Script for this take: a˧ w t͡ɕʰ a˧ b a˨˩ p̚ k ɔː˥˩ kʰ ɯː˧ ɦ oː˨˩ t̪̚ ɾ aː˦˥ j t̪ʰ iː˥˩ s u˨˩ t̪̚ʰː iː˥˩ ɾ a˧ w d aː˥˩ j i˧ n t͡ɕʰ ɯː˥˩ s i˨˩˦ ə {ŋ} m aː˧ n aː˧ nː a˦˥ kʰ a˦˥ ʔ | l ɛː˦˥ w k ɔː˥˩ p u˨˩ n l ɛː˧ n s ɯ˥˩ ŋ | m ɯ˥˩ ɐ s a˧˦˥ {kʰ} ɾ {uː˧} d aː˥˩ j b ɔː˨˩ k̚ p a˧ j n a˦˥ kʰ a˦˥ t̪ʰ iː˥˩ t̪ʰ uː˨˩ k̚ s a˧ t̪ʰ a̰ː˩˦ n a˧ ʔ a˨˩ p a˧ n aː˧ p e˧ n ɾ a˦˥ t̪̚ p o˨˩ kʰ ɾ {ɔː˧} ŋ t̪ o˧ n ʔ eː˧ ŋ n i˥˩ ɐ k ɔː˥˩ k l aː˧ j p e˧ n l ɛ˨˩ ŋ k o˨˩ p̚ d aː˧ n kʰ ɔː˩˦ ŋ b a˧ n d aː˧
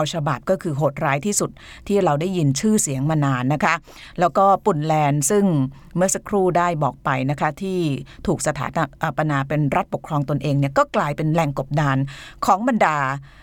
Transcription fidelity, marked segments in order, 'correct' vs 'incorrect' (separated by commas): correct, correct, incorrect, correct